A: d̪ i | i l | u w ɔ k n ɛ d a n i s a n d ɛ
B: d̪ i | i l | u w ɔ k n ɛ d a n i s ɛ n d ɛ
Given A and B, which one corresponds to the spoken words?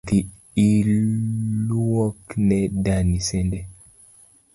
B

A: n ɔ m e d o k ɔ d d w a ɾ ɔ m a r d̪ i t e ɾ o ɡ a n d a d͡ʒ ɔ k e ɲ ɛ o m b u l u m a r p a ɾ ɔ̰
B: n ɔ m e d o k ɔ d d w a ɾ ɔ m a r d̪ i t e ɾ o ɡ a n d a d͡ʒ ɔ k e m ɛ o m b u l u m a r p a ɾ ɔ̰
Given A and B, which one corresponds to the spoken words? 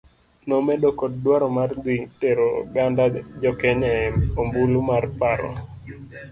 A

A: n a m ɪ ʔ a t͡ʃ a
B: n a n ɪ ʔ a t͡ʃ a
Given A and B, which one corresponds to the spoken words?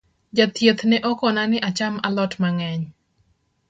B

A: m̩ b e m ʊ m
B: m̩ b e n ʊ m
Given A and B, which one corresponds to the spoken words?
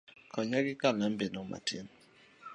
B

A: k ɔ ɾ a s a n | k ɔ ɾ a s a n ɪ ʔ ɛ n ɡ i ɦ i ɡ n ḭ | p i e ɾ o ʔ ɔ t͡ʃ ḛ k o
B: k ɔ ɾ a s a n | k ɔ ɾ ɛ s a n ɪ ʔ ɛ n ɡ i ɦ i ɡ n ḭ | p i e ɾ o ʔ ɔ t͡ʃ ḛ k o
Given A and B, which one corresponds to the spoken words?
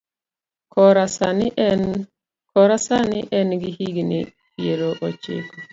A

